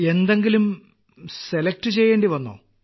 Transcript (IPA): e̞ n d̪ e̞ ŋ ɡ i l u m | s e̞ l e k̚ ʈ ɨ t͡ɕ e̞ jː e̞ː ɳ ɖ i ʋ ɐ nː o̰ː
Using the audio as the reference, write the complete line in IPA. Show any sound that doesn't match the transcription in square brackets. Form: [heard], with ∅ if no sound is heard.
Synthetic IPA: e̞ n d̪ e̞ ŋ ɡ i l u m | s e̞ l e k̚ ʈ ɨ t͡ɕ e̞ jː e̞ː ɳ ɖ i ʋ ɐ nː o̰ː